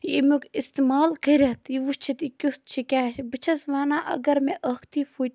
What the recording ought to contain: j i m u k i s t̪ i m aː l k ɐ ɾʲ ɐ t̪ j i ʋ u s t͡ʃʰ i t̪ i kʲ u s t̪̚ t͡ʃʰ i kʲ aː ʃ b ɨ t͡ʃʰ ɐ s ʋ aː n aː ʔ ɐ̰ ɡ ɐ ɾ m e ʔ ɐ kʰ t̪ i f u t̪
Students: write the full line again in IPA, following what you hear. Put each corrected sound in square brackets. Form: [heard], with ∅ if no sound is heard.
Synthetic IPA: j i m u k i s t̪ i m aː l k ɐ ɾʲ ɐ t̪ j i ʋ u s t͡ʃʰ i t̪ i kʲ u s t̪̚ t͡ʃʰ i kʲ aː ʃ b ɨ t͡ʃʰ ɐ s ʋ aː n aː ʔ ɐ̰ ɡ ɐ ɾ m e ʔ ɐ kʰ t̪ i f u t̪